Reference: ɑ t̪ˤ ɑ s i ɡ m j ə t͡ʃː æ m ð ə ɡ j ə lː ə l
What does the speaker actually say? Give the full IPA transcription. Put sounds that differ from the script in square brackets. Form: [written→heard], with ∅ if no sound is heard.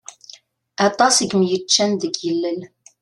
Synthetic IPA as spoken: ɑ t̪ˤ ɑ s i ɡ m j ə t͡ʃː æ [m→n] ð ə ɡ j ə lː ə l